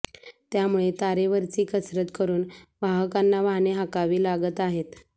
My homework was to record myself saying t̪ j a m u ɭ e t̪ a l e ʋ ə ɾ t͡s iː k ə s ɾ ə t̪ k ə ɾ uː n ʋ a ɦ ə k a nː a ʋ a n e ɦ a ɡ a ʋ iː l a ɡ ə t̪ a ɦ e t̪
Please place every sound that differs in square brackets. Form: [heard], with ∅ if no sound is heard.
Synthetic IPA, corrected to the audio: t̪ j a m u ɭ e t̪ a [ɾ] e ʋ ə ɾ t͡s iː k ə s ɾ ə t̪ k ə ɾ uː n ʋ a ɦ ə k a nː a ʋ a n e ɦ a [k] a ʋ iː l a ɡ ə t̪ a ɦ e t̪